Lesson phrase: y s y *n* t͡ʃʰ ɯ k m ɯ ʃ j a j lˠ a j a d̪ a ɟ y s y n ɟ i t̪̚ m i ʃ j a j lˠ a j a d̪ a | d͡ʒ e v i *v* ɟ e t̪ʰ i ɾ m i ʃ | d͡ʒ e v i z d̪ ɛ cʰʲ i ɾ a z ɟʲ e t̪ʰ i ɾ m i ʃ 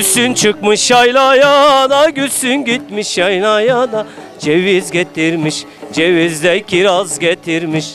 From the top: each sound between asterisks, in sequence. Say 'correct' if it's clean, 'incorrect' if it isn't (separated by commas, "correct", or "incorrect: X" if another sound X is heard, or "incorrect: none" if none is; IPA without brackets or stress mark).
correct, incorrect: z